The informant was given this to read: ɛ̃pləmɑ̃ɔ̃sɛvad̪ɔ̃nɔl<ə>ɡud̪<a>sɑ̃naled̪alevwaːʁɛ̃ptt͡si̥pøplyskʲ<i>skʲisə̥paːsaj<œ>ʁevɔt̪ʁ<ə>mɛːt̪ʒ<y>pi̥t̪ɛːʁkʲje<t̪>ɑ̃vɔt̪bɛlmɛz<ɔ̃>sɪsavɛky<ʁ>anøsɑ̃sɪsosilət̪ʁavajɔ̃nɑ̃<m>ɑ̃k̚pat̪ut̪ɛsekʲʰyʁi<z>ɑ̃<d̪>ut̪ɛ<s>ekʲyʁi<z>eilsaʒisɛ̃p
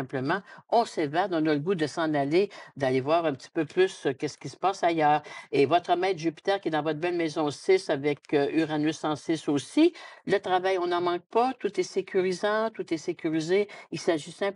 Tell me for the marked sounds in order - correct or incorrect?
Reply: correct, incorrect, incorrect, incorrect, correct, correct, incorrect, correct, correct, correct, correct, incorrect, correct, correct

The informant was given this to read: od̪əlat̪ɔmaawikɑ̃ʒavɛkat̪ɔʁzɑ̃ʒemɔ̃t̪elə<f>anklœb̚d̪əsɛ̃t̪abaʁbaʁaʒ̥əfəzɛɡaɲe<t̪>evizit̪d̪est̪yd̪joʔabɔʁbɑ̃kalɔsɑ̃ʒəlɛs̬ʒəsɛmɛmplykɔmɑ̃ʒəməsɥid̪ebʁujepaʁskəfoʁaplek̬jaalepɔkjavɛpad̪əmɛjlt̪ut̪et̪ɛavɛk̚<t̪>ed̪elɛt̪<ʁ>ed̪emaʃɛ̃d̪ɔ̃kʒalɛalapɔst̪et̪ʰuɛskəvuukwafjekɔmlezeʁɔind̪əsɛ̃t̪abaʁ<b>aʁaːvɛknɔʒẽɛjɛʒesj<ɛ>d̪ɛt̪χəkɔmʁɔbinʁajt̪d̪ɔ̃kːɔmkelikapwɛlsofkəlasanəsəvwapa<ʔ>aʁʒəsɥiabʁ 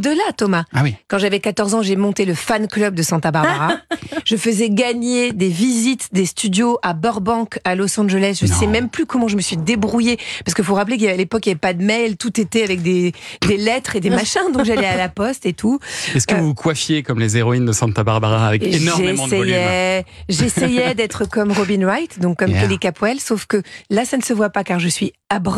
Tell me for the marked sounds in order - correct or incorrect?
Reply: correct, incorrect, incorrect, incorrect, correct, correct, incorrect

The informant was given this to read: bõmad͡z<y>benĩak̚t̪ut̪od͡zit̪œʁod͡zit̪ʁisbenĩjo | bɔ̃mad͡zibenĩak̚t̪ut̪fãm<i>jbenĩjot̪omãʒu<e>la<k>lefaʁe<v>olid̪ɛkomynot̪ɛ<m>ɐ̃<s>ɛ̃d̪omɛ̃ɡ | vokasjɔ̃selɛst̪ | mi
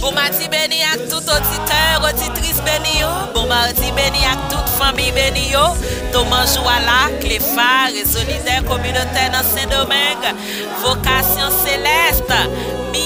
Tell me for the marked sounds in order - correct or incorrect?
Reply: incorrect, correct, incorrect, correct, incorrect, incorrect, correct

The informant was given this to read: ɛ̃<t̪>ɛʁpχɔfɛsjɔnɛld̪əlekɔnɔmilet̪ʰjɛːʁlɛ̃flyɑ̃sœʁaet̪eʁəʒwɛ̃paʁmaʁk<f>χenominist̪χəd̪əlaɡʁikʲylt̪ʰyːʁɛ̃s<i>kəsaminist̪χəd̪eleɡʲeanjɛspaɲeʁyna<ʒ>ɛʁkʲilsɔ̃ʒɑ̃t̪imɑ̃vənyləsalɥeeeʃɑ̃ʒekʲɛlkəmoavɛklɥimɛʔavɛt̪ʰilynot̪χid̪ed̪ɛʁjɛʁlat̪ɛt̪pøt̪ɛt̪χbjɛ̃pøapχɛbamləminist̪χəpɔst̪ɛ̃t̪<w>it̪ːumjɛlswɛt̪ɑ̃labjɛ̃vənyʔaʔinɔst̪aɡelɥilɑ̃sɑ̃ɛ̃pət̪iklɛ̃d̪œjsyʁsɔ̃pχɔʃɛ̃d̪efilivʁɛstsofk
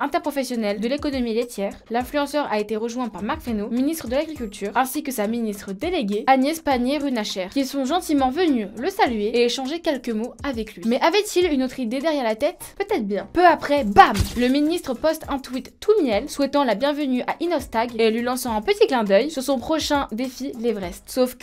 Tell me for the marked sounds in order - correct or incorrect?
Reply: correct, correct, correct, incorrect, correct

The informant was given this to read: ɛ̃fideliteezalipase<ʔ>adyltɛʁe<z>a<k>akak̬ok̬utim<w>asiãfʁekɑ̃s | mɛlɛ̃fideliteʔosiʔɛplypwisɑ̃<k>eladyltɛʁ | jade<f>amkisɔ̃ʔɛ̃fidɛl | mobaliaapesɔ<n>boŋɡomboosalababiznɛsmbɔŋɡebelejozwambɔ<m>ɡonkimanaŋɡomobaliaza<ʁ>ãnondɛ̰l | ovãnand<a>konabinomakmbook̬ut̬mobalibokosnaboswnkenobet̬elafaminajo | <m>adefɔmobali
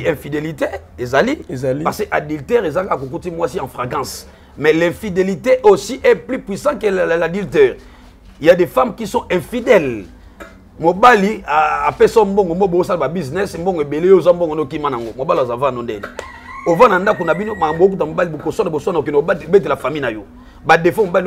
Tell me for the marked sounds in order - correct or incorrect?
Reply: correct, correct, correct, correct, correct, correct, incorrect, incorrect, incorrect, correct, incorrect

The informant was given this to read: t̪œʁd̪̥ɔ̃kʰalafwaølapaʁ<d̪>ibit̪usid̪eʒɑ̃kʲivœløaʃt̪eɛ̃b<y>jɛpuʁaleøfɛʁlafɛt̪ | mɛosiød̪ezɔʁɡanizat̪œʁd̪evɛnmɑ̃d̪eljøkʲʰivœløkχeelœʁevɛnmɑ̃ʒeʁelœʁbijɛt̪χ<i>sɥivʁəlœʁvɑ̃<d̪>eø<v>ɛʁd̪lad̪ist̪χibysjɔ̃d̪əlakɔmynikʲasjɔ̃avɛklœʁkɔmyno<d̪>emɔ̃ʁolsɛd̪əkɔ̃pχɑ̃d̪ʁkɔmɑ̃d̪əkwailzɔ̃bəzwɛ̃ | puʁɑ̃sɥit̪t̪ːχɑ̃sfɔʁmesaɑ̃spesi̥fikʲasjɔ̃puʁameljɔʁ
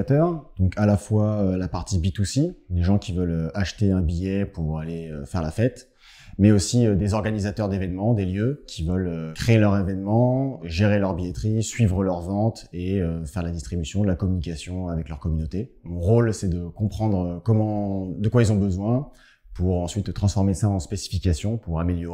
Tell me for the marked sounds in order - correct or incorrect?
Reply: incorrect, incorrect, correct, incorrect, incorrect, incorrect

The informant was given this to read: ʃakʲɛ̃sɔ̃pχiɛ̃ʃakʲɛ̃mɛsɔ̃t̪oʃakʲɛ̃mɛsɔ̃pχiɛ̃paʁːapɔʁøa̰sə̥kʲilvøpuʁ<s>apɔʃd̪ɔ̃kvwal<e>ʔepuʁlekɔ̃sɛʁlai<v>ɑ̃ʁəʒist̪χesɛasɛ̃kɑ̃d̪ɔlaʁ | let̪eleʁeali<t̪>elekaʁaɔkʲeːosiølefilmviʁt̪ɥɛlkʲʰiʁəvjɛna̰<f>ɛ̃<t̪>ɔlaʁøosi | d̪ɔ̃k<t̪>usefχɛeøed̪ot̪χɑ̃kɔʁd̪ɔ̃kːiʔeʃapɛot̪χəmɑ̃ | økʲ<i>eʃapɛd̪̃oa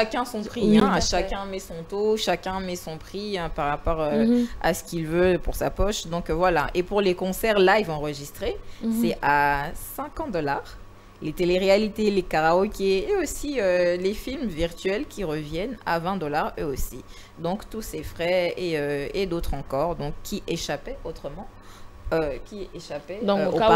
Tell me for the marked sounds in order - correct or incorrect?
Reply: correct, incorrect, correct, correct, incorrect, incorrect, correct, correct

